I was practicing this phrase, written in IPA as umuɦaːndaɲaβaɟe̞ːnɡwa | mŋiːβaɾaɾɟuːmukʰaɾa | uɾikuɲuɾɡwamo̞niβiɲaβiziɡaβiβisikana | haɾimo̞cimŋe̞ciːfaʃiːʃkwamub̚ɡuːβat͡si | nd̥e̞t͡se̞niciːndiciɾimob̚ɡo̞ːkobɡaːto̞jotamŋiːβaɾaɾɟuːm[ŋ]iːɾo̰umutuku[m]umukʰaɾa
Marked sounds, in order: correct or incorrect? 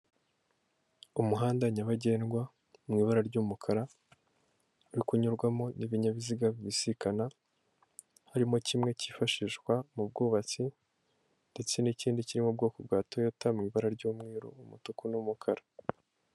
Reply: correct, incorrect: n

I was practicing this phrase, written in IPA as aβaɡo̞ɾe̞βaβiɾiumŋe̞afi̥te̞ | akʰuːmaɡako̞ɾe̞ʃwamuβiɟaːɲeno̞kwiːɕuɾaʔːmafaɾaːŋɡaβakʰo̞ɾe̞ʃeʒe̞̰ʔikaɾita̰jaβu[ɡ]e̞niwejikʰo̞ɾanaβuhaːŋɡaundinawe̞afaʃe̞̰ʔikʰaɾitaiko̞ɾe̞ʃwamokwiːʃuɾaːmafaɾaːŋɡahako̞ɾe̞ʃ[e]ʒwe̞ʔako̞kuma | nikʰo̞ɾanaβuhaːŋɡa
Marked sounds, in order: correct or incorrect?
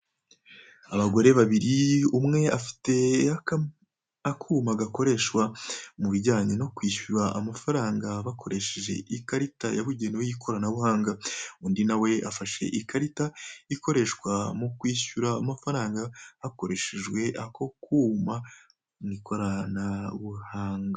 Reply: incorrect: ɟ, correct

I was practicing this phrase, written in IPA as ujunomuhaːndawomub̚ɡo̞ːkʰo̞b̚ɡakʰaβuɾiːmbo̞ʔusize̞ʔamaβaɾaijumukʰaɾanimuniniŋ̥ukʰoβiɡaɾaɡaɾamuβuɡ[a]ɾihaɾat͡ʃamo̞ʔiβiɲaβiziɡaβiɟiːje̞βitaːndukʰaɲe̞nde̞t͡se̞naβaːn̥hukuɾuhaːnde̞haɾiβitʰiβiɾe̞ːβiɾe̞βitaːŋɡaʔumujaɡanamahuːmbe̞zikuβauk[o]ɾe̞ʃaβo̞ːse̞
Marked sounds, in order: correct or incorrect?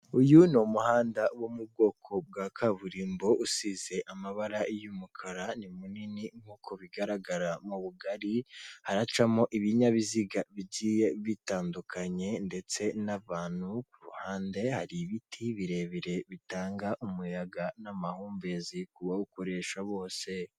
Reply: correct, correct

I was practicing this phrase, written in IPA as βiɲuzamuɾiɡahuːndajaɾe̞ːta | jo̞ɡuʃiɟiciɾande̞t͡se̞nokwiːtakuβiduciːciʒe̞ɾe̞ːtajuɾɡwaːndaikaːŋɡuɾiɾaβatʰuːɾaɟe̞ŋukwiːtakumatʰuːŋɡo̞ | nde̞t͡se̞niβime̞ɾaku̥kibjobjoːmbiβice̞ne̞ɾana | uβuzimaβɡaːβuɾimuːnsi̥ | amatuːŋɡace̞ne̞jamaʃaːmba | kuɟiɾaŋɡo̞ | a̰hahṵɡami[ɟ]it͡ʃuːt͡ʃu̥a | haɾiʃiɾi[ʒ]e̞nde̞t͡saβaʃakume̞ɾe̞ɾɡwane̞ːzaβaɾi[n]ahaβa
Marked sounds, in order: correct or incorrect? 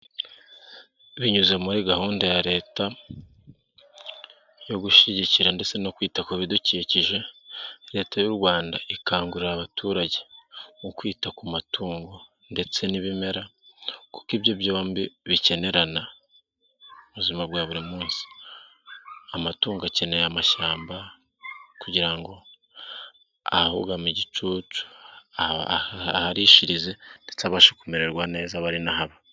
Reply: correct, incorrect: z, correct

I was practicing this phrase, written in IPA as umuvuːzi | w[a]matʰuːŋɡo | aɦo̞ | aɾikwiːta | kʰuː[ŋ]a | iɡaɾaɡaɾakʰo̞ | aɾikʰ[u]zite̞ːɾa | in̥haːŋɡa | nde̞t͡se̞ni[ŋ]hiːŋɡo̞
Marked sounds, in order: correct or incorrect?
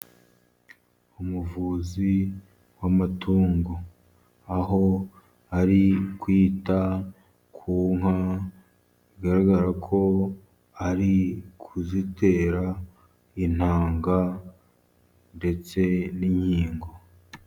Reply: correct, correct, correct, incorrect: ɲ

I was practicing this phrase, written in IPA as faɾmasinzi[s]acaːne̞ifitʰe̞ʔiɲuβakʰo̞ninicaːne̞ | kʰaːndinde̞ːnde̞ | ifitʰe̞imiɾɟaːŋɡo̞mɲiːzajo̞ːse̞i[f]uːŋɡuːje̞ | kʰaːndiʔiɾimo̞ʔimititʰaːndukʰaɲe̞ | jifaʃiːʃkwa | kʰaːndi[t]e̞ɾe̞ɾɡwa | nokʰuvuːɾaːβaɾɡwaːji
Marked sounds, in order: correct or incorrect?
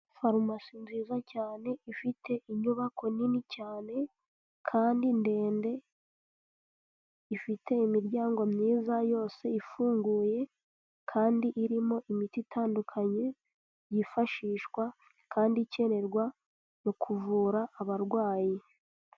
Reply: incorrect: z, correct, incorrect: c

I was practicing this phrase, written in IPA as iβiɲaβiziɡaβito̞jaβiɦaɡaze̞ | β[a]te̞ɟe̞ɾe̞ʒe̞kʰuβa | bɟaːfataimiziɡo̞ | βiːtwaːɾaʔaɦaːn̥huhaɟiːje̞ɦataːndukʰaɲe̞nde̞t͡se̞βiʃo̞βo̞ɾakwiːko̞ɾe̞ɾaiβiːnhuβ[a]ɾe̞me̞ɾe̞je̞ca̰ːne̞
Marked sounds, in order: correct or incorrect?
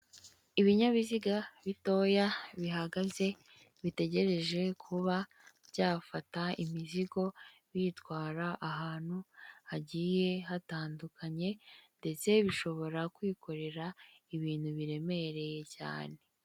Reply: incorrect: i, incorrect: i

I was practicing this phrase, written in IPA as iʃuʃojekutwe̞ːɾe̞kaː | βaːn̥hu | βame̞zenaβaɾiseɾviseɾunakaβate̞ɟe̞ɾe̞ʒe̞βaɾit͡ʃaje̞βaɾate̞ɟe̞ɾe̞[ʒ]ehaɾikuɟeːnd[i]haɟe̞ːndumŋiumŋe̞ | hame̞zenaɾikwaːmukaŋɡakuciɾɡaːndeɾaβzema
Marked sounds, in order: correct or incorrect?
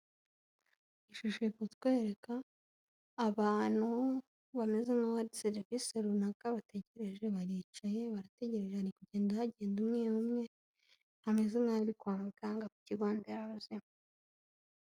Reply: correct, incorrect: a

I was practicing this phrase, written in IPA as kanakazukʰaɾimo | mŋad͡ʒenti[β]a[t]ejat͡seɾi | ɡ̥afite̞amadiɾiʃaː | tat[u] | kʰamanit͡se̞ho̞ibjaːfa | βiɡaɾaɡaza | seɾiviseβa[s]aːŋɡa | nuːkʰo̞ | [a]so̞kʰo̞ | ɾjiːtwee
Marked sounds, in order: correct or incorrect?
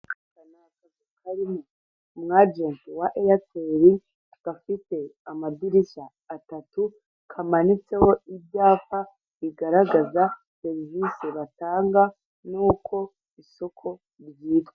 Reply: incorrect: w, incorrect: ʔ, correct, incorrect: t, incorrect: i

